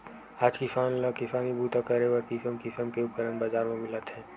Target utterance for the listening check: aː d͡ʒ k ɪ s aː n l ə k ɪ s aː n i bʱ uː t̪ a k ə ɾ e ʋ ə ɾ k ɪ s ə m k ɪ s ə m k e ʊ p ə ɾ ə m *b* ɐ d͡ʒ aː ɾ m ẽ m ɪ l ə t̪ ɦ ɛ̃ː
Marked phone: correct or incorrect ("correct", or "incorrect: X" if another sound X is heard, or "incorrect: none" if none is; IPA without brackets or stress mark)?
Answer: correct